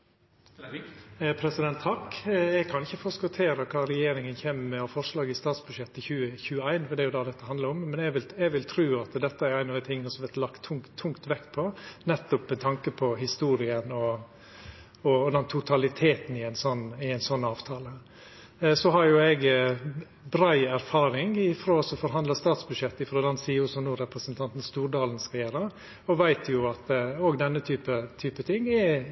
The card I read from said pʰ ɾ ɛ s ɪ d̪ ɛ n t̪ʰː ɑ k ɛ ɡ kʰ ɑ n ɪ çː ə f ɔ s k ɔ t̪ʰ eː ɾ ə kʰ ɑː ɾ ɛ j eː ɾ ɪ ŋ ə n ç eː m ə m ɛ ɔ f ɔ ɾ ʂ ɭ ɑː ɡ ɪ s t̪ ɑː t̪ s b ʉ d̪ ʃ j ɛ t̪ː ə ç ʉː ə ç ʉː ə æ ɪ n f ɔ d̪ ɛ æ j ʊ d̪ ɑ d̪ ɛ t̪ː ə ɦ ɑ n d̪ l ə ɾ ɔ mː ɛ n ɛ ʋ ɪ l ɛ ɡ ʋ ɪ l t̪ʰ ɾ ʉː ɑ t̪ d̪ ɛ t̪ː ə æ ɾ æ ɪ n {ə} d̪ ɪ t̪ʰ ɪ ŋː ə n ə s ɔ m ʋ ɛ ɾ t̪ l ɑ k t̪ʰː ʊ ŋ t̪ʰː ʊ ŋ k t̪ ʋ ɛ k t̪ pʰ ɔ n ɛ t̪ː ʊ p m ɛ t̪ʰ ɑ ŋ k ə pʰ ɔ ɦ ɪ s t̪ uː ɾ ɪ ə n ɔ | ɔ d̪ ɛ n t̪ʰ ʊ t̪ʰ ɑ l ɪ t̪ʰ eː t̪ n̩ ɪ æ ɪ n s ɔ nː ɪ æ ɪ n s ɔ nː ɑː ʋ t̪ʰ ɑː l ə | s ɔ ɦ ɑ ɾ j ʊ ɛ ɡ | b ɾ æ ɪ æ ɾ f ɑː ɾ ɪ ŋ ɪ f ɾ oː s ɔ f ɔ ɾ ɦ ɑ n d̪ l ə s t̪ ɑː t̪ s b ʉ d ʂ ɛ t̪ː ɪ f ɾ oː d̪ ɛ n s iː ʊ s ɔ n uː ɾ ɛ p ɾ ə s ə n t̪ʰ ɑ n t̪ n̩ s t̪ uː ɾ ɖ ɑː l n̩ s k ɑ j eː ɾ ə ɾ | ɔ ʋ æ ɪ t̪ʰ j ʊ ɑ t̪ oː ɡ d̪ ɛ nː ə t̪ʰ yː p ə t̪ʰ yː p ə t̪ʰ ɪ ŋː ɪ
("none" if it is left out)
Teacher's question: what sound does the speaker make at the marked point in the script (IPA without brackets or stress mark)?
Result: ɑ